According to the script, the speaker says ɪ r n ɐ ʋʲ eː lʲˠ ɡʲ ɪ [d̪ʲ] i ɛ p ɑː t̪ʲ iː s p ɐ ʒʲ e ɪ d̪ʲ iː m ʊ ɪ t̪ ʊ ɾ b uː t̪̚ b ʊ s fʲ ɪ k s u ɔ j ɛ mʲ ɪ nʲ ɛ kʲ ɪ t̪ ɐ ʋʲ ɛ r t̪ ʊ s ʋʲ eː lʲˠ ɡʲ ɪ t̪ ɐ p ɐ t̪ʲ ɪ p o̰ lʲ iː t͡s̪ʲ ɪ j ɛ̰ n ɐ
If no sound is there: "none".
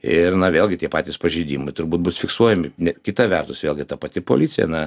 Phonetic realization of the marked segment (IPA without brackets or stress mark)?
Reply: t̪ʲ